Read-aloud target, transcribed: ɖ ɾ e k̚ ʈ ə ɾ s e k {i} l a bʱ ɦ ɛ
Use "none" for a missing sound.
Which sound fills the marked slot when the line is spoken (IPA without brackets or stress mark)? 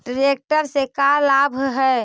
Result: a